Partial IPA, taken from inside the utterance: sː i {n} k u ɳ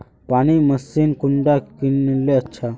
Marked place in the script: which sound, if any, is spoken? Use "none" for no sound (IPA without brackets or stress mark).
n